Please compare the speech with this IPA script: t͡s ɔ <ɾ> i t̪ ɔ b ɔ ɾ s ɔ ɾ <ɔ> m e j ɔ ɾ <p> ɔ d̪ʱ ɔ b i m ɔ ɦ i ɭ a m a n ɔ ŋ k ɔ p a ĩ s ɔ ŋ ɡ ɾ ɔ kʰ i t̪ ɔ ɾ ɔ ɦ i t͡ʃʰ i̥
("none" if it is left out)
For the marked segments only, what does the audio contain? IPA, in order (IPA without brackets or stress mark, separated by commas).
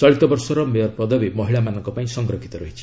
ɭ, ɔ, p